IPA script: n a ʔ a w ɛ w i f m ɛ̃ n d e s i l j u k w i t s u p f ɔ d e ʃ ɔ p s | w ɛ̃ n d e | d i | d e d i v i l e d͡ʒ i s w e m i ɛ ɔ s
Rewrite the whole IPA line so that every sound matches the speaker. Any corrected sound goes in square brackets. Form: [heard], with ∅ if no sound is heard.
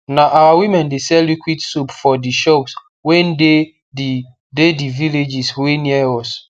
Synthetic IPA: n a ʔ a w [a] w i [∅] m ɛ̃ n d e s [ɛ] l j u k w i t s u p f ɔ d [i] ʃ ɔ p s | w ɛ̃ n d e | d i | d e d i v i l e d͡ʒ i s w e [n] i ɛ ɔ s